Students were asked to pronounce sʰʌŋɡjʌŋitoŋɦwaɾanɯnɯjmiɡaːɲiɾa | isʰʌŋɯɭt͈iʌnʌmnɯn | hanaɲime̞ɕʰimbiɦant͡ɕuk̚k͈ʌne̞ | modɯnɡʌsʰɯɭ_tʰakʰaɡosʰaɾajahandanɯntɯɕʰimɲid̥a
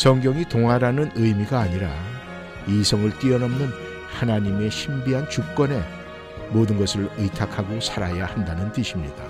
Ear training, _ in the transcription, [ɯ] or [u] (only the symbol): ɯ